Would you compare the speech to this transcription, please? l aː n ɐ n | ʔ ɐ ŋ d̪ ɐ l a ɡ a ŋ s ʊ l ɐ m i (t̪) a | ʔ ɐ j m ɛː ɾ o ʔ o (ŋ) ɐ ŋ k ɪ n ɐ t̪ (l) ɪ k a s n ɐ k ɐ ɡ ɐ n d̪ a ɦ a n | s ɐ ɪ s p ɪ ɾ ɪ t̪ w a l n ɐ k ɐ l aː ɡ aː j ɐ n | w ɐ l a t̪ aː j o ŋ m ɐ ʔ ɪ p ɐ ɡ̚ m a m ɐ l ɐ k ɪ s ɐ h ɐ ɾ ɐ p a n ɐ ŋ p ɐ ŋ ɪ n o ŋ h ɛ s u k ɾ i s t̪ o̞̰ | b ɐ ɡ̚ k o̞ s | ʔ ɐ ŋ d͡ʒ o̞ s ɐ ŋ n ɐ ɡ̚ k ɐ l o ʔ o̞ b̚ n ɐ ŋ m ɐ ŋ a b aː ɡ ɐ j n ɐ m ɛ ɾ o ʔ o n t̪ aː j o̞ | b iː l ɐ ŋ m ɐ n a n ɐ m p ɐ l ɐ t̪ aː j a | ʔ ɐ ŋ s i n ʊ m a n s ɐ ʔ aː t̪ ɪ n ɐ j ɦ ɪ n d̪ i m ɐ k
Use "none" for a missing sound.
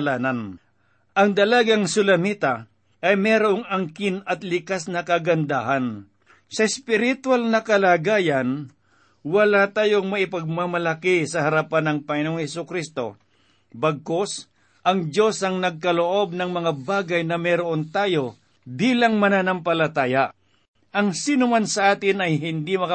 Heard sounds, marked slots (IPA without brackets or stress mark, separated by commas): t̪, ŋ, l